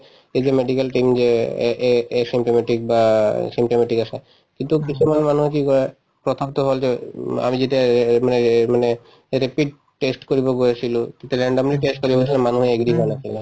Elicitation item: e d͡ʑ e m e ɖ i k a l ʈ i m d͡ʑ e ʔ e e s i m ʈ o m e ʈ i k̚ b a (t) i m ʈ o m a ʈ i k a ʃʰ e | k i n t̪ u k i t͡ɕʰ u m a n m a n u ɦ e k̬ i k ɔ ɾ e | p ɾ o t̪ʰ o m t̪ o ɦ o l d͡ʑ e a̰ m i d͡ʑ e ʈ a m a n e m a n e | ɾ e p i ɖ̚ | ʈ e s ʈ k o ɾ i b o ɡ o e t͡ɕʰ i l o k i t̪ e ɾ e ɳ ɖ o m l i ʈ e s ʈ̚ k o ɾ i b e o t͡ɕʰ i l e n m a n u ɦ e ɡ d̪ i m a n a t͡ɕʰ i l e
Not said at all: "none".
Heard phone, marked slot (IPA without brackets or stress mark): s